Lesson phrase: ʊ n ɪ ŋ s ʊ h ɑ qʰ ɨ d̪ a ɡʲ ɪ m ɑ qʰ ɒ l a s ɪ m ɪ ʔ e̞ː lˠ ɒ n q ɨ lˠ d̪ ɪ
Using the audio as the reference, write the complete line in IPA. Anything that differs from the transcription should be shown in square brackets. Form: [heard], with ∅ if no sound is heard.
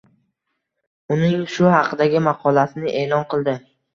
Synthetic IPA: ʊ n ɪ ŋ [ʃ] ʊ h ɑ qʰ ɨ d̪ a ɡʲ ɪ m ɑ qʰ ɒ l a s ɪ [n] ɪ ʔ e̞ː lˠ ɒ n q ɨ lˠ d̪ ɪ